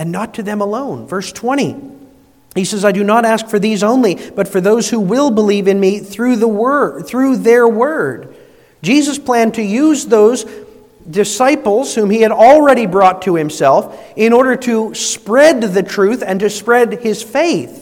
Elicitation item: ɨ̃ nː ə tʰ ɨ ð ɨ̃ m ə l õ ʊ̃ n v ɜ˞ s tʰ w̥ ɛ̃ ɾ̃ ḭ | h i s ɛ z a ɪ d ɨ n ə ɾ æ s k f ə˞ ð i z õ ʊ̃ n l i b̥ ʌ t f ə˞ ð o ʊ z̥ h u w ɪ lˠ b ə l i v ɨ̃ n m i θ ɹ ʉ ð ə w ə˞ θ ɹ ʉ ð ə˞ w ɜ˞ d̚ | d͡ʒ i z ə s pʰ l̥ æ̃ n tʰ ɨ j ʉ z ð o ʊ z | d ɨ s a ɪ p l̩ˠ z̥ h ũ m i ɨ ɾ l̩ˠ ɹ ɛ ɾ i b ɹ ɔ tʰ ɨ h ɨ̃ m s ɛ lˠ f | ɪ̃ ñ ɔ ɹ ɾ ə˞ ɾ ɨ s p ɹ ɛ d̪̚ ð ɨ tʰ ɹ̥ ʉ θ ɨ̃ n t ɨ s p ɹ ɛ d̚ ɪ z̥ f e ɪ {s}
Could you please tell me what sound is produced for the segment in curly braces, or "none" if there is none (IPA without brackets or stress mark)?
θ